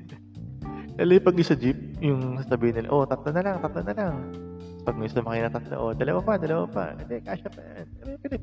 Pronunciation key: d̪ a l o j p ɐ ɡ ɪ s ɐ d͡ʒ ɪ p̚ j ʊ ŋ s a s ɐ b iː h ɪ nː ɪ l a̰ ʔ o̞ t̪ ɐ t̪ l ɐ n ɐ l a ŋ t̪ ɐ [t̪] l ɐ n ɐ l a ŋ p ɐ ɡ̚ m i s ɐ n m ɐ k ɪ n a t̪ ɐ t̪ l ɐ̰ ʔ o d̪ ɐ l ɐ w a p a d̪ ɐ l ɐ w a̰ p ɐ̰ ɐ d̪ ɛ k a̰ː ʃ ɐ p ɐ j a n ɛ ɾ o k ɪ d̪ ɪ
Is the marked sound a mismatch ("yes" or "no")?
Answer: no